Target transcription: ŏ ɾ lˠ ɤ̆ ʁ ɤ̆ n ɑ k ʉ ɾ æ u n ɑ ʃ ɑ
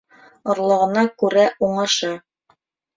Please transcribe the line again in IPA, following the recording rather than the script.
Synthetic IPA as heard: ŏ ɾ lˠ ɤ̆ ʁ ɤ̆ n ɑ k ʉ ɾ æ u ɴ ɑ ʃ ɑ